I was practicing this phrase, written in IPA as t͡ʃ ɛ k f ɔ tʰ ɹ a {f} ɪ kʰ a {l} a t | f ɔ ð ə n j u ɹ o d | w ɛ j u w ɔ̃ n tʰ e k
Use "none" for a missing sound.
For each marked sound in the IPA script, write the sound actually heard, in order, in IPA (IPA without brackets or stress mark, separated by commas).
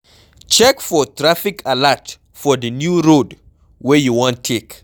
f, l